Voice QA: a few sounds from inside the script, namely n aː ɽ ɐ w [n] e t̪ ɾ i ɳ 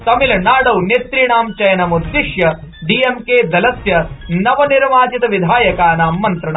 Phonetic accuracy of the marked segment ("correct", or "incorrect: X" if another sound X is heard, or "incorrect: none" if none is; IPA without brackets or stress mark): correct